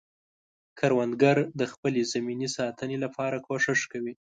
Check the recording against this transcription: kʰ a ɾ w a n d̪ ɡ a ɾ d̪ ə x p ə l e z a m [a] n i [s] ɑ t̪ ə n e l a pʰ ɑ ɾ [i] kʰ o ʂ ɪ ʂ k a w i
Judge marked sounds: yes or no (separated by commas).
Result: no, yes, no